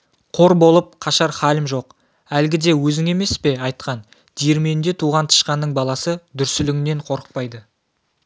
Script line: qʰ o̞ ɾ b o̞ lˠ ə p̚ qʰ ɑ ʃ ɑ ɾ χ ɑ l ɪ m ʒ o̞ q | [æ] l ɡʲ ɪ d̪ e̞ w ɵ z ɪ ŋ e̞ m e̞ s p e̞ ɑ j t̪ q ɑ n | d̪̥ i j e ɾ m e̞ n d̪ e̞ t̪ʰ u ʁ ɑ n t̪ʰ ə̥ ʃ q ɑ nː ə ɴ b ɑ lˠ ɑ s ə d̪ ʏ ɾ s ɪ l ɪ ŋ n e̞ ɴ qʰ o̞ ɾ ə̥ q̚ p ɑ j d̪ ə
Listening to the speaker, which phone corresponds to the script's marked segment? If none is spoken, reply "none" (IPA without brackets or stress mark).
æ